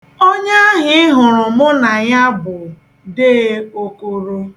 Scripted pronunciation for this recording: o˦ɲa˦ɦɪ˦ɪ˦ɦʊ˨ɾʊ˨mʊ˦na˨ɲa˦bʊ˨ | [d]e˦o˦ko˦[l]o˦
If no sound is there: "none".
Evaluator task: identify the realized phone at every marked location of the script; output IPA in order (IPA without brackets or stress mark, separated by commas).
d, ɾ